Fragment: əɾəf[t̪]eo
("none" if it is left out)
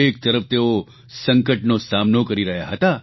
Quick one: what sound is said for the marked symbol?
t̪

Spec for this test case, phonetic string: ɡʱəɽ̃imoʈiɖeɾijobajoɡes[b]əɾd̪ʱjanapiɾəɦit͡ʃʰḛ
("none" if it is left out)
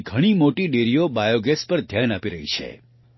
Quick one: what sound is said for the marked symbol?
p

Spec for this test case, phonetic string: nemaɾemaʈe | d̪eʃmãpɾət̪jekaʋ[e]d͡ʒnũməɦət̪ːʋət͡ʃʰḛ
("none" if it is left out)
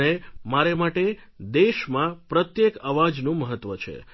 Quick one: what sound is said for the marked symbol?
a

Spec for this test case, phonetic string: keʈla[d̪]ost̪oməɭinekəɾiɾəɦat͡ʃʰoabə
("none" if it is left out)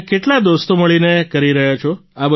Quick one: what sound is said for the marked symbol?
d̪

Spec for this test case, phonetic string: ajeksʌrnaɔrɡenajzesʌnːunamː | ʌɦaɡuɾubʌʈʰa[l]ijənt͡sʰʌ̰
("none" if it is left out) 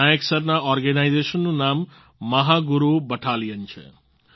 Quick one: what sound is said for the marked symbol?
l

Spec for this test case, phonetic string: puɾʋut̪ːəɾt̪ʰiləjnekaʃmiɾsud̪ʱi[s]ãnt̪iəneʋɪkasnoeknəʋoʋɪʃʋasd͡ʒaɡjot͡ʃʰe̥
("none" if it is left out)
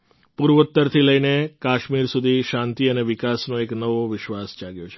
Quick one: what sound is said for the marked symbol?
ʃ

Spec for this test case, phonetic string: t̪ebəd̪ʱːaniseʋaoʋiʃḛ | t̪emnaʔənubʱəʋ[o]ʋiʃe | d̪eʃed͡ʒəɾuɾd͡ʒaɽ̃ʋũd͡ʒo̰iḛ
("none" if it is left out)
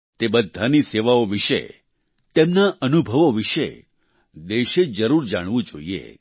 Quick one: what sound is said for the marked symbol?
o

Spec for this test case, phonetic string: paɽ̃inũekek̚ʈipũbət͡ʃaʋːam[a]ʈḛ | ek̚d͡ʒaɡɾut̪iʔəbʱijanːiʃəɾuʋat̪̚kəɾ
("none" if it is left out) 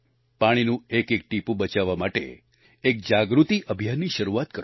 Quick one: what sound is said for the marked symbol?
a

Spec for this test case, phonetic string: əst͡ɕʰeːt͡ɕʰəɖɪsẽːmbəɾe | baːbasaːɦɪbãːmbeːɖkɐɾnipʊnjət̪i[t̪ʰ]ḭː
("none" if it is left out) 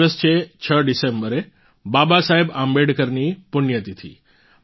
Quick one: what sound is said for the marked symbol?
t̪ʰ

